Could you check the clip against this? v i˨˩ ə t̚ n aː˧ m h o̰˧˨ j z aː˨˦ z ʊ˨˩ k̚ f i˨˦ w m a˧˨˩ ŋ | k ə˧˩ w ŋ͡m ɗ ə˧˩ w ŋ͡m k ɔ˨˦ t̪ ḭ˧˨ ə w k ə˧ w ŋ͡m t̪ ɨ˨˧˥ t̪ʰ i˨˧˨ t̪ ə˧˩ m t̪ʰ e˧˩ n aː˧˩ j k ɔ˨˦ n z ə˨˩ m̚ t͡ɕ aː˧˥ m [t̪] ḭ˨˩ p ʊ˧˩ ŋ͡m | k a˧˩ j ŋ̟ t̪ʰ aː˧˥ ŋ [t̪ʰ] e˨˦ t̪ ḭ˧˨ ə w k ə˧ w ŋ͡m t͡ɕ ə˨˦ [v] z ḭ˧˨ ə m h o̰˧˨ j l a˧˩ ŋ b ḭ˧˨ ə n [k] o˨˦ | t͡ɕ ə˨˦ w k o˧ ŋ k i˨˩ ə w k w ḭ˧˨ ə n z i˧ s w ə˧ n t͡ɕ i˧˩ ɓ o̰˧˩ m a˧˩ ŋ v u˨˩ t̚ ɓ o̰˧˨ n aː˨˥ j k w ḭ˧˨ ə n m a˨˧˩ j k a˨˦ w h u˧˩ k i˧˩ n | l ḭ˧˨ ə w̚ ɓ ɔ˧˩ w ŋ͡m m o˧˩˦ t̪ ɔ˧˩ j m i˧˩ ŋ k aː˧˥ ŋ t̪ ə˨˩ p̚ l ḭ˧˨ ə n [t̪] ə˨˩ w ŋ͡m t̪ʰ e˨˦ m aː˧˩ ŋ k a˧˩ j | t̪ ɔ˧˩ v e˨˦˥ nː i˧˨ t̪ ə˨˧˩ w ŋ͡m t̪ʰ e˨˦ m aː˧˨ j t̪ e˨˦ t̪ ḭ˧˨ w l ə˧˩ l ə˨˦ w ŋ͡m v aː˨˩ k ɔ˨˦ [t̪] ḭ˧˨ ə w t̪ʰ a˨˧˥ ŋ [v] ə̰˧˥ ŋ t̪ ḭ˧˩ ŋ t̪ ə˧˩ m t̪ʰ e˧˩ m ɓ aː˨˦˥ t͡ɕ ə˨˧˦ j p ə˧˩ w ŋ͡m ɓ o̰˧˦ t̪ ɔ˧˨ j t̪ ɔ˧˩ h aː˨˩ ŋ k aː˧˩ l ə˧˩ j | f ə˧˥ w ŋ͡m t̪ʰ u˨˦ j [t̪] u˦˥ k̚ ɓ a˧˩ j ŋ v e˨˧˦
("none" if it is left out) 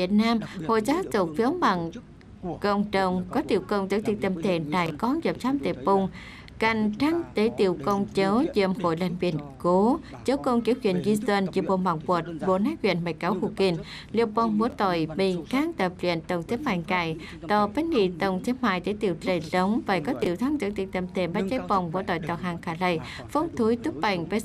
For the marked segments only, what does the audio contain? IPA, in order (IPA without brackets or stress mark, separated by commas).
t̪, t̪, w, k, t̪, t̪, z, t̪